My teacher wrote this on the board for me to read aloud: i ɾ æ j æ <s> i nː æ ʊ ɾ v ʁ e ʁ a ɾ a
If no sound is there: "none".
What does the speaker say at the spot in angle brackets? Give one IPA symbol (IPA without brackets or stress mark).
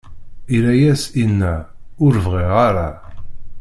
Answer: s